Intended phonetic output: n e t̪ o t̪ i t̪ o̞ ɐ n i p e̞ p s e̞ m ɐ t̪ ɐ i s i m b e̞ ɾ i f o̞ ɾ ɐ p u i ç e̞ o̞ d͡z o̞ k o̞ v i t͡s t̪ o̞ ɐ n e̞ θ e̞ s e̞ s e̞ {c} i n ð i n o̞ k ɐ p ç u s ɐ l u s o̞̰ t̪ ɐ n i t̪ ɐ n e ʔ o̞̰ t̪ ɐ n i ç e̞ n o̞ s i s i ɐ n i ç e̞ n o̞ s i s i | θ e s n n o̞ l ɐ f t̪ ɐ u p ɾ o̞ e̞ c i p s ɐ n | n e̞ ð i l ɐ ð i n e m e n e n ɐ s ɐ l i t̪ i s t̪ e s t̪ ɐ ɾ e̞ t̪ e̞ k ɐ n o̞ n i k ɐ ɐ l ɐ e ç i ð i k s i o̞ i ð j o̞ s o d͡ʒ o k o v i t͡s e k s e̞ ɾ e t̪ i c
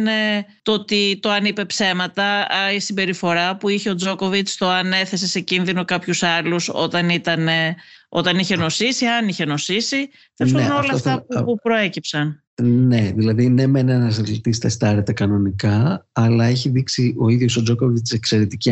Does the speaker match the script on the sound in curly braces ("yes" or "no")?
yes